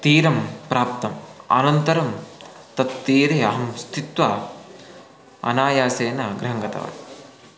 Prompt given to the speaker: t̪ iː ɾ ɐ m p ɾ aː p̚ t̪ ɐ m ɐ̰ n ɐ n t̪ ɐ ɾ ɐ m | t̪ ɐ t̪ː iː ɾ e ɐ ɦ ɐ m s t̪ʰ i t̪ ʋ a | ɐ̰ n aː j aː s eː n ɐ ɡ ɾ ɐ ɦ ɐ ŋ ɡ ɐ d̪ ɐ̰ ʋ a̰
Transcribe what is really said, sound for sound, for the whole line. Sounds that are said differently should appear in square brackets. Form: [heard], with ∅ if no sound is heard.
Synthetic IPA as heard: t̪ iː ɾ ɐ m p ɾ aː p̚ t̪ ɐ m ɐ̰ n ɐ n t̪ ɐ ɾ ɐ m | t̪ ɐ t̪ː iː ɾ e ɐ ɦ ɐ m s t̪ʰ i t̪ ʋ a | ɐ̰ n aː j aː s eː n ɐ ɡ ɾ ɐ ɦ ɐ ŋ ɡ ɐ [t̪] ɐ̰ ʋ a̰